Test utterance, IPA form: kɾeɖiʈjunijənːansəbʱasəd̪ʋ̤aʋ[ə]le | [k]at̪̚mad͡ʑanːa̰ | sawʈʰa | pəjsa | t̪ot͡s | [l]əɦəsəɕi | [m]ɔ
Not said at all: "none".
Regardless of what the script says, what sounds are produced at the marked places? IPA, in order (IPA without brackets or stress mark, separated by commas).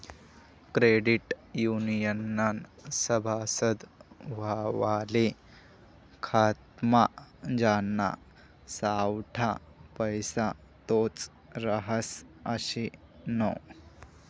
a, kʰ, ɾ, n